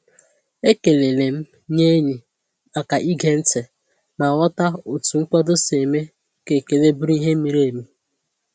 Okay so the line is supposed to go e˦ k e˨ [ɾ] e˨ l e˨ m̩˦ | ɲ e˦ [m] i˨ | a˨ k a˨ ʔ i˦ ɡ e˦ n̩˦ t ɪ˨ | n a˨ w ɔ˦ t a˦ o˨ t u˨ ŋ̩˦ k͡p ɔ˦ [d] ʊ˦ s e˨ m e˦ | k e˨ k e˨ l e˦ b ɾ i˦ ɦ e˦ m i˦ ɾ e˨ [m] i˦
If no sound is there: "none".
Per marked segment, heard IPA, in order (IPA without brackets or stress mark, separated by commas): l, ɲ, d, m